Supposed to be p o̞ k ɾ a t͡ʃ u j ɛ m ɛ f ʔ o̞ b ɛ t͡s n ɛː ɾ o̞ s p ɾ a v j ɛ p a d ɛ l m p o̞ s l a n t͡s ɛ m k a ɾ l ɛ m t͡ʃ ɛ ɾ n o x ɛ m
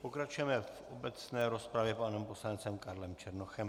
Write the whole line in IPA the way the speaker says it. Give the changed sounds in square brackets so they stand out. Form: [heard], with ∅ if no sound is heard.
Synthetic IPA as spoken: p o̞ k ɾ a t͡ʃ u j ɛ m ɛ f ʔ o̞ b ɛ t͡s n ɛː ɾ o̞ s p ɾ a v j ɛ p a [n] ɛ [∅] m p o̞ s l a n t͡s ɛ m k a ɾ l ɛ m t͡ʃ ɛ ɾ n o x ɛ m